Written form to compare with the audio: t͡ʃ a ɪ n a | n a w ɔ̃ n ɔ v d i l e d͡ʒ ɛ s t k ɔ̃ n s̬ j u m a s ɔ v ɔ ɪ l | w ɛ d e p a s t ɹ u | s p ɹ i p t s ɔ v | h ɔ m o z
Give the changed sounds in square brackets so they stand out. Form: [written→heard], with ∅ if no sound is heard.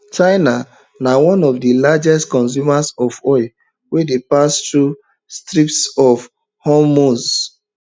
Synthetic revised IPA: t͡ʃ a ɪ n a | n a w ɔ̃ n ɔ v d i l [e→a] d͡ʒ ɛ s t k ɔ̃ n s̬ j u m a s ɔ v ɔ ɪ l | w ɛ d e p a s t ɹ u | s [p→t] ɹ i p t s ɔ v | h ɔ m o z